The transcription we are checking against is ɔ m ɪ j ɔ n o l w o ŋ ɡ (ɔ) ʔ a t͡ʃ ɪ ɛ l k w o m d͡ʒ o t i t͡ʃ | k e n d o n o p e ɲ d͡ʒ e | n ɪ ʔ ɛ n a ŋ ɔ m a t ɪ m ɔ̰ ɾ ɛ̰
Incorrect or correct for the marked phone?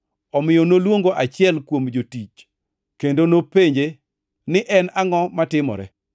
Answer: incorrect: o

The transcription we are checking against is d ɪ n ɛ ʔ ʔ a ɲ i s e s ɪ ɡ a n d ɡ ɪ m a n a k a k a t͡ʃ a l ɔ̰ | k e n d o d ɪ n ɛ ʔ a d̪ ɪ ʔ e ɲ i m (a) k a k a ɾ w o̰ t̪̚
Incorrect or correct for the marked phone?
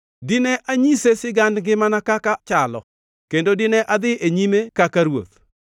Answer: incorrect: e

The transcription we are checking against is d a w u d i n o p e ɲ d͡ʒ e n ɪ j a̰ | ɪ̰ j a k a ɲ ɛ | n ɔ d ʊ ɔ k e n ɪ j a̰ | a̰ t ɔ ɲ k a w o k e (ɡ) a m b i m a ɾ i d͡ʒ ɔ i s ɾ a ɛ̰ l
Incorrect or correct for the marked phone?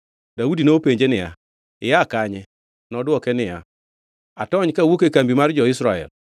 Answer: incorrect: k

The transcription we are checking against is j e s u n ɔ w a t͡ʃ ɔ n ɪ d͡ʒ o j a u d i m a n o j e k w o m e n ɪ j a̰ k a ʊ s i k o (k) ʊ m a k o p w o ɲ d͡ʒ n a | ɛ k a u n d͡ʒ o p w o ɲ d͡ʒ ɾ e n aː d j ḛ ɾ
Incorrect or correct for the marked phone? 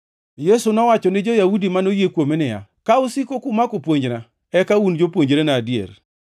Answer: correct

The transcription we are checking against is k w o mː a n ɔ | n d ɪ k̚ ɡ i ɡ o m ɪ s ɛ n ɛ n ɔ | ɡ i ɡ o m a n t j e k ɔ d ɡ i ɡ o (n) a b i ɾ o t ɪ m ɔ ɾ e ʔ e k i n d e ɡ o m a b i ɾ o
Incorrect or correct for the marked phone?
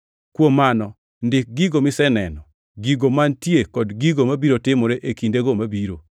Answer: incorrect: m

